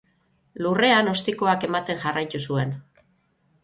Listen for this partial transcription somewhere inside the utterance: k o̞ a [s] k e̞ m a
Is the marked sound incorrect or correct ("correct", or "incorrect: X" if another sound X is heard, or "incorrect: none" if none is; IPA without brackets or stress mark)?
incorrect: none